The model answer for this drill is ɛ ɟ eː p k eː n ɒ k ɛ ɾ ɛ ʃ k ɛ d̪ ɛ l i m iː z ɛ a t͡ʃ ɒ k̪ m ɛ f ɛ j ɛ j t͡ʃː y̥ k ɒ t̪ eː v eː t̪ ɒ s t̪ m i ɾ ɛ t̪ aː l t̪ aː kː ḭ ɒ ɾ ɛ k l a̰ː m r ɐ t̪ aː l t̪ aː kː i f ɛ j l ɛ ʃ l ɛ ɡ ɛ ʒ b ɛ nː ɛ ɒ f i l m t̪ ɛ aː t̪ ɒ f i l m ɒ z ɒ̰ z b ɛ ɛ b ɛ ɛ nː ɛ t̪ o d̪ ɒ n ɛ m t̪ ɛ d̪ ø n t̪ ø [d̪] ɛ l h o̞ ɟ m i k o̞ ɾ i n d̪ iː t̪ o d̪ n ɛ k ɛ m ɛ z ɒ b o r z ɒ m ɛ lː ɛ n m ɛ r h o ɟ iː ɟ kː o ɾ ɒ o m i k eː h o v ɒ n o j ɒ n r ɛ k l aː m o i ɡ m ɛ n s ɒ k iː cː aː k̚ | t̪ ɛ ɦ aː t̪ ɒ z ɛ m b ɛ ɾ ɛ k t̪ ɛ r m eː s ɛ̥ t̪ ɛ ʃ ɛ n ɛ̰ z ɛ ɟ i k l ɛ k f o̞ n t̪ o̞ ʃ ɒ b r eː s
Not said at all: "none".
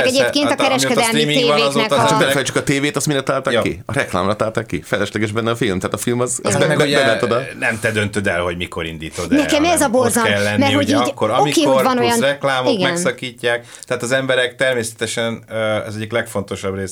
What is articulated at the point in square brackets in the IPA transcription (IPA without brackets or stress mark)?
d̪